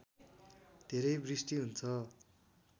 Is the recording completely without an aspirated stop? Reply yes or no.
no